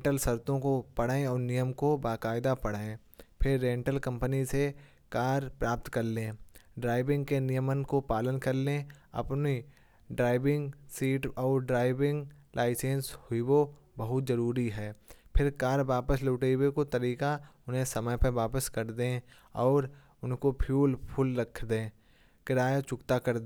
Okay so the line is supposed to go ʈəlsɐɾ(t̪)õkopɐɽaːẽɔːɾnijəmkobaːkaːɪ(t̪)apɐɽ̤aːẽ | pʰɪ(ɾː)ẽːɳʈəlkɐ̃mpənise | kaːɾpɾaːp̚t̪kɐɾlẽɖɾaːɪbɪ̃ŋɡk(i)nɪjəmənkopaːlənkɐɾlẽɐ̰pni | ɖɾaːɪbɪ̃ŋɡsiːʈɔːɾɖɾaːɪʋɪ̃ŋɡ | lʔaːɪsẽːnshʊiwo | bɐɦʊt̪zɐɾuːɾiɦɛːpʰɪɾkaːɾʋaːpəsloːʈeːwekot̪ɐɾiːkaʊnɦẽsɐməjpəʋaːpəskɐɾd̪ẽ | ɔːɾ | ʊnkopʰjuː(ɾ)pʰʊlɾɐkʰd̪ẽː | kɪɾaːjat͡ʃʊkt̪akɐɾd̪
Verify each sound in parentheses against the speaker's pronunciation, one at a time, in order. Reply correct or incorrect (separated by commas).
correct, incorrect, correct, incorrect, incorrect